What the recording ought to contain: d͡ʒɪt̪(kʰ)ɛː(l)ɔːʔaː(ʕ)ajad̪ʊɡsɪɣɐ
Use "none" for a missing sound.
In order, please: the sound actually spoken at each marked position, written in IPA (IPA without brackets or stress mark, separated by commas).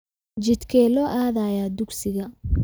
kʰ, l, ð